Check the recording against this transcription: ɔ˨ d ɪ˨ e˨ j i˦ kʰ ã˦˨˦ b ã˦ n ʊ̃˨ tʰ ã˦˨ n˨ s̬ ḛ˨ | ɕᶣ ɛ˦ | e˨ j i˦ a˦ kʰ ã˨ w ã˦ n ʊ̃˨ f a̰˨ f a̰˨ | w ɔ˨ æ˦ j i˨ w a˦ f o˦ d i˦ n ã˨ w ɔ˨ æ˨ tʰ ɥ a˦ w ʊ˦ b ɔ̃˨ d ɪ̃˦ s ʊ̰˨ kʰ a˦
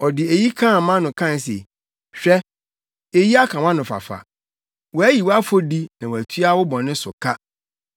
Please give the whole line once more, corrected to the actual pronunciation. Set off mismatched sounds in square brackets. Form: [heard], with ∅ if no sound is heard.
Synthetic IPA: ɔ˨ d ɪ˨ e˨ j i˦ kʰ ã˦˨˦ [m] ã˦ n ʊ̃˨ [kʰ] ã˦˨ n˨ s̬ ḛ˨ | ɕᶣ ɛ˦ | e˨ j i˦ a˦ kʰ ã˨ w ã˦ n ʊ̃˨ f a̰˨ f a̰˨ | w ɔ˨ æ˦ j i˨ w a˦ f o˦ d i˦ n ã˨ w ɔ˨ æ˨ tʰ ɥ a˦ w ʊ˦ b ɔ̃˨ [n] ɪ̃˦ s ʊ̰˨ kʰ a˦